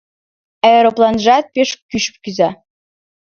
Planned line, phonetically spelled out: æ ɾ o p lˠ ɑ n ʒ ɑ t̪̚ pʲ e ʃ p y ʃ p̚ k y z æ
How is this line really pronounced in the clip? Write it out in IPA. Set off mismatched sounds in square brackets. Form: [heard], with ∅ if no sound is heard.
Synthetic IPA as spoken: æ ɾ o p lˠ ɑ n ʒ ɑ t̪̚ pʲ e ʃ [k] y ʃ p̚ k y z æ